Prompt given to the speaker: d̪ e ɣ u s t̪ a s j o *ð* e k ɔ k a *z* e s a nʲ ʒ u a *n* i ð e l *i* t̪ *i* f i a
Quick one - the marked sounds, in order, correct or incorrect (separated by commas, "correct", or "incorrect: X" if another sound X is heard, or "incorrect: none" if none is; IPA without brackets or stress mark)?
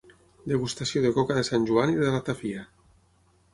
correct, incorrect: ð, correct, incorrect: a, incorrect: a